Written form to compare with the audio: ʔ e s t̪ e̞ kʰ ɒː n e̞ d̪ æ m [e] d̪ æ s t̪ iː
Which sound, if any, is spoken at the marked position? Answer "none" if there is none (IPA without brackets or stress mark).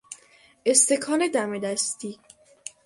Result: e